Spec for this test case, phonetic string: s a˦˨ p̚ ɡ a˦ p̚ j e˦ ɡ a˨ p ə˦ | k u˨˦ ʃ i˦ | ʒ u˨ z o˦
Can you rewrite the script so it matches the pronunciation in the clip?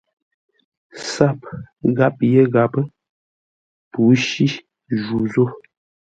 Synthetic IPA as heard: s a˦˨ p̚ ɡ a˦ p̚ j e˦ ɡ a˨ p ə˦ | p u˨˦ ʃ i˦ | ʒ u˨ z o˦